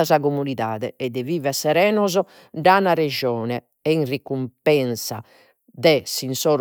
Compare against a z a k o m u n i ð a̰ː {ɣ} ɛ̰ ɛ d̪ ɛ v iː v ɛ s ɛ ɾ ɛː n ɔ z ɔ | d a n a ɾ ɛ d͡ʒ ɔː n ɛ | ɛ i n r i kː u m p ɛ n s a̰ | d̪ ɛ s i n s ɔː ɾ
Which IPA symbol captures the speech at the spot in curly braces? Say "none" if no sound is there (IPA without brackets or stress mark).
ð